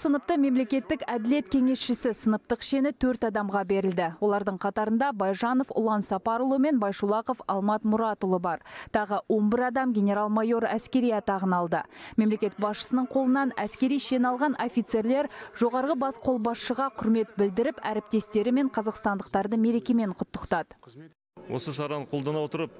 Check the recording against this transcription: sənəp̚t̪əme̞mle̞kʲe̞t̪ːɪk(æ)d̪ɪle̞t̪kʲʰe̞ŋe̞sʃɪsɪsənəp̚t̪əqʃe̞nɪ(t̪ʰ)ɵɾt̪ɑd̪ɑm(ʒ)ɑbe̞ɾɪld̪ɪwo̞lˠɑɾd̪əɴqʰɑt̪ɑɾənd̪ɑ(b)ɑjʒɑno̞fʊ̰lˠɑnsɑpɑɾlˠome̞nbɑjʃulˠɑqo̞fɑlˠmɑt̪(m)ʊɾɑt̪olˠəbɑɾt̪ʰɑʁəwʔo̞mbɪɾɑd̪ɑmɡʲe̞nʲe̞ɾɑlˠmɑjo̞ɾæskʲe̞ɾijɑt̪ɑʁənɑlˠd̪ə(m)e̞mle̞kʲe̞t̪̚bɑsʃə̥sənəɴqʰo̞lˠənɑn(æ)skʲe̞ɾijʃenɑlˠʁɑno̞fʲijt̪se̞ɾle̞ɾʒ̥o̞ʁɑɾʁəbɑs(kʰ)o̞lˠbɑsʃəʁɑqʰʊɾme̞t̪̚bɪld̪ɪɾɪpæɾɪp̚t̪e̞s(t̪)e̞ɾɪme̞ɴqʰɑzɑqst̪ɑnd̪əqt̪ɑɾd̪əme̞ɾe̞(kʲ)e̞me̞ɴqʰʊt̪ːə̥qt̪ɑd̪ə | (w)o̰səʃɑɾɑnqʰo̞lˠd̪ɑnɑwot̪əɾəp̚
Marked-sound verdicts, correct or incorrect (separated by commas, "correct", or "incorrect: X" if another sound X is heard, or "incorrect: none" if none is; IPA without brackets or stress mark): correct, correct, incorrect: ʁ, correct, correct, correct, correct, incorrect: qʰ, correct, correct, correct